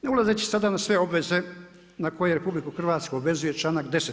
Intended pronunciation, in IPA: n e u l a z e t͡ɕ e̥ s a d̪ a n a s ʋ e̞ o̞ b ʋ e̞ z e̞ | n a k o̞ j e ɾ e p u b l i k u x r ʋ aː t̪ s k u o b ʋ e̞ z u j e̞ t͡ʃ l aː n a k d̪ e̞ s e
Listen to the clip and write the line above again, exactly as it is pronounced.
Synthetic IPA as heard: n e u l a z e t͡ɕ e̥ s a d̪ a n a s ʋ e̞ o̞ b ʋ e̞ z e̞ | n a k o̞ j e ɾ e p u b l i k u x r ʋ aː t̪ s k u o b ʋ e̞ z u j e̞ t͡ʃ l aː n a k d̪ e̞ s e